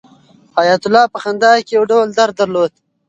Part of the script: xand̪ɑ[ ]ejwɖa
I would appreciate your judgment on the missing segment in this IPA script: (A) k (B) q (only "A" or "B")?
A